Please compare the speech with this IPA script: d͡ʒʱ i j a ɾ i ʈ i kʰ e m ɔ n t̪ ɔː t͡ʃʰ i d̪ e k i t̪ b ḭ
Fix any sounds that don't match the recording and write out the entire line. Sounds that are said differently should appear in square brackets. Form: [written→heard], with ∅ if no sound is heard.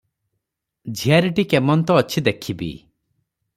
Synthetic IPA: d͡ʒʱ i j a ɾ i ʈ i [kʰ→k] e m ɔ n t̪ ɔː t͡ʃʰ i d̪ e [k→kʰ] i [t̪→∅] b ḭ